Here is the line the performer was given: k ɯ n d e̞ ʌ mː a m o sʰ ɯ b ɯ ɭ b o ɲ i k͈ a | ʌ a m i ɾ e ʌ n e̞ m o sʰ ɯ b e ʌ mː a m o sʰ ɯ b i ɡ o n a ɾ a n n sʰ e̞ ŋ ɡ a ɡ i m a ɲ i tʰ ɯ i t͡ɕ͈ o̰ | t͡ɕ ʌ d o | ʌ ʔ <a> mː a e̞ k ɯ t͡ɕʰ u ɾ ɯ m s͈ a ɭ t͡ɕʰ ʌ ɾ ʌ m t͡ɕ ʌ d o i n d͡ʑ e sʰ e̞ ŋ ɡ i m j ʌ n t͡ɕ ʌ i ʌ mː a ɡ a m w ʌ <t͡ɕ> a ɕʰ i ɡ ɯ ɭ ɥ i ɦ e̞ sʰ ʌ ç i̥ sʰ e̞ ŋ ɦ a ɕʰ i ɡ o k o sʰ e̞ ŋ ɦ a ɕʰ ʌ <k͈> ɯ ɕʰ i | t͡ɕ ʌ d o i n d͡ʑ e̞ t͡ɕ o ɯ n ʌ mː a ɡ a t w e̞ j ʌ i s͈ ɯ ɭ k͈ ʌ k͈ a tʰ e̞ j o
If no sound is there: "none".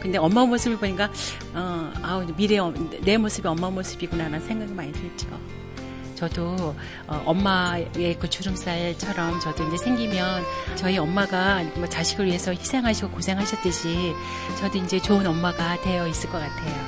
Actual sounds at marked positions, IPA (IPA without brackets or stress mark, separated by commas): ʌ, t͡ɕ, t͈